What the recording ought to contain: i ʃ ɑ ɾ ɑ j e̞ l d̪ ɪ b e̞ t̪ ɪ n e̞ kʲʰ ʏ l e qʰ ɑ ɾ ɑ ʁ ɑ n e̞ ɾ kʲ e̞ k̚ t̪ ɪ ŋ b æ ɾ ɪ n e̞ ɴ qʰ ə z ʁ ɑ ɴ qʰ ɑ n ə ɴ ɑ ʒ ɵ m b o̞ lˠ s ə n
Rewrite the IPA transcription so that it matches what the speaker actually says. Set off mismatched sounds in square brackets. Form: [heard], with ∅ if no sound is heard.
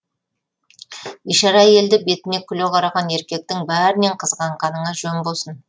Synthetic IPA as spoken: i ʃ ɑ ɾ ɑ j e̞ l d̪ ɪ b e̞ t̪ ɪ n e̞ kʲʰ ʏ l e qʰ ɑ ɾ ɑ ʁ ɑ n e̞ ɾ kʲ e̞ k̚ t̪ ɪ ŋ b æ ɾ ɪ n e̞ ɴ qʰ ə z ʁ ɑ ɴ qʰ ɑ n ə ɴ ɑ ʒ ɵ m b o̞ lˠ s ə n

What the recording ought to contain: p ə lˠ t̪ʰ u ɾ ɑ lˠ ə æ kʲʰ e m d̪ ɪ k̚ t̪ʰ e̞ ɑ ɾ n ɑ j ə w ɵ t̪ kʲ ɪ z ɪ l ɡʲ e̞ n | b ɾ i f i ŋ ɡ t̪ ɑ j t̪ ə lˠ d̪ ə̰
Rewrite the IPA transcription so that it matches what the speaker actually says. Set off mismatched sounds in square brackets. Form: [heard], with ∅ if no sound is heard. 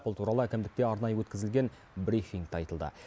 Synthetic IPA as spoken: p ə lˠ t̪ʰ u ɾ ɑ lˠ ə æ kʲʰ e m d̪ ɪ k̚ [t̪] e̞ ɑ ɾ n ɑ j ə w ɵ t̪ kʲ ɪ z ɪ l ɡʲ e̞ n | b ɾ i f i ŋ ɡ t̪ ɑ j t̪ ə lˠ d̪ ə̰

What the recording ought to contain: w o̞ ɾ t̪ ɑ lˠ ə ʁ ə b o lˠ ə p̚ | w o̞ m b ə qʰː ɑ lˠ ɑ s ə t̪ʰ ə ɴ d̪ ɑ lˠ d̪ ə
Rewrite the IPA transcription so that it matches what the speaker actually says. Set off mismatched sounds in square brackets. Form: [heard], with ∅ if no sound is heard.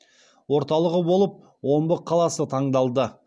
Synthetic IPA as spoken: w o̞ ɾ t̪ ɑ lˠ ə ʁ ə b o lˠ ə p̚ | w o̞ m b ə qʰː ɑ lˠ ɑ s ə t̪ʰ [ɑ] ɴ d̪ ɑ lˠ d̪ ə

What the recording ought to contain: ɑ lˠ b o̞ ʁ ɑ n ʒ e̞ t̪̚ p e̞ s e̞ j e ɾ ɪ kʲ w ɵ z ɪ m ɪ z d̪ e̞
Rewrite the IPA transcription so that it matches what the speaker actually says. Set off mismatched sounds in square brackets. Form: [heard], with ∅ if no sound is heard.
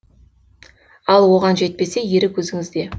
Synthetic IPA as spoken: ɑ lˠ [w] o̞ ʁ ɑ n ʒ e̞ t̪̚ p e̞ s e̞ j e ɾ ɪ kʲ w ɵ z ɪ [ŋ] ɪ z d̪ e̞

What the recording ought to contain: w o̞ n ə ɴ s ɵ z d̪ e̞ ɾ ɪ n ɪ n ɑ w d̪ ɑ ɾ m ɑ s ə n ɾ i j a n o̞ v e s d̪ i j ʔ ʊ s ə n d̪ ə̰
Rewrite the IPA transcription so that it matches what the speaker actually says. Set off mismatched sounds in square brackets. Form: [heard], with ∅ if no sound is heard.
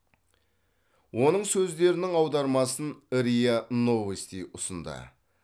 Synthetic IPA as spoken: w o̞ n ə ɴ s ɵ z d̪ e̞ ɾ ɪ n ɪ [ŋ] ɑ w d̪ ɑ ɾ m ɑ s ə n ɾ i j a n o̞ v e s [t̪] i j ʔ ʊ s ə n d̪ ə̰

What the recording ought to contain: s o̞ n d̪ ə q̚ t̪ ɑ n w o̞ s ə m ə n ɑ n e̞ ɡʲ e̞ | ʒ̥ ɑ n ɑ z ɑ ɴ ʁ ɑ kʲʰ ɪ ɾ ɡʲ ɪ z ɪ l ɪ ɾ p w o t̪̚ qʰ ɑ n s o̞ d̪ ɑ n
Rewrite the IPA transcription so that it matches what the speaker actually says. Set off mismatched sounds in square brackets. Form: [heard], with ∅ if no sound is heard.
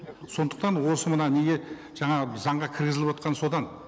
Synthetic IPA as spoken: s o̞ n d̪ ə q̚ t̪ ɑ n w o̞ s ə m ə n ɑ n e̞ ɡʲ e̞ | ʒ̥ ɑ [ɴ] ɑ z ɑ ɴ ʁ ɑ kʲʰ ɪ ɾ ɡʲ ɪ z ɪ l ɪ [∅] p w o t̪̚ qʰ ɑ n s o̞ d̪ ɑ n

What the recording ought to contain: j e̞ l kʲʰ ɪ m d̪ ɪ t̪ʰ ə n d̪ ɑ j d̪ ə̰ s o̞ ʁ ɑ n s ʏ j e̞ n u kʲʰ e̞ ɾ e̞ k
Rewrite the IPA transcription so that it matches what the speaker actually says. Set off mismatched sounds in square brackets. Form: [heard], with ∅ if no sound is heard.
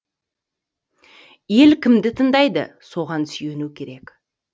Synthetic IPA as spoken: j e̞ l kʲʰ ɪ m d̪ ɪ t̪ʰ ə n d̪ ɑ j d̪ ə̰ s o̞ ʁ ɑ n s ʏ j e̞ n u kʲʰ e̞ ɾ e̞ k

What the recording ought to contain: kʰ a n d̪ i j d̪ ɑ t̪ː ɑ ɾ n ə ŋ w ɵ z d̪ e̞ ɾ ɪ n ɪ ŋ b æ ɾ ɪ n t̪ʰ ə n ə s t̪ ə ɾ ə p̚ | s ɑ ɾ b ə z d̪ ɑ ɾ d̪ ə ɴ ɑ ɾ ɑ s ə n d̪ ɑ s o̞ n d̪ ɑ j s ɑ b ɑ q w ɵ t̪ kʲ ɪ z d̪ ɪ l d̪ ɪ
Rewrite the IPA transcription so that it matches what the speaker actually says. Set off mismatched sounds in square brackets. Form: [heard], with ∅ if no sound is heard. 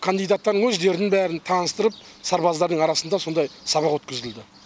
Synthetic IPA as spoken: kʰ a n d̪ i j d̪ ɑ t̪ː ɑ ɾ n ə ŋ w ɵ z d̪ e̞ ɾ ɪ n ɪ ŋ b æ ɾ ɪ n t̪ʰ [ɑ] n ə s t̪ ə ɾ ə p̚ | s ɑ ɾ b [ɑ] z d̪ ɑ ɾ d̪ ə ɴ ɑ ɾ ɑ s ə n d̪ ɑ s o̞ n d̪ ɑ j s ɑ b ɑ q w ɵ t̪ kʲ ɪ z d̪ ɪ l d̪ ɪ

